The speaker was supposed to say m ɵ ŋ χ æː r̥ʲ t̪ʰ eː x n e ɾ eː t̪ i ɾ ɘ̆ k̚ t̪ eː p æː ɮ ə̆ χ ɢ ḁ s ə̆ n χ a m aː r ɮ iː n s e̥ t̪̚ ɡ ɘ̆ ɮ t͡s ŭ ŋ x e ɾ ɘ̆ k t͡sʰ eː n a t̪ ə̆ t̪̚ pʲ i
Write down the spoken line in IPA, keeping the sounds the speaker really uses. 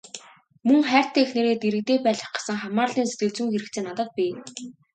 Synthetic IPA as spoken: m ɵ ŋ χ æː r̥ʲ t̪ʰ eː x n e ɾ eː t̪ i ɾ ɘ̆ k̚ t̪ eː p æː ɮ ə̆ χ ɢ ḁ s ə̆ ŋ χ a m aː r ɮ iː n s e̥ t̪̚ ɡ ɘ̆ ɮ t͡s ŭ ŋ x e ɾ ɘ̆ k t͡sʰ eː n a t̪ ə̆ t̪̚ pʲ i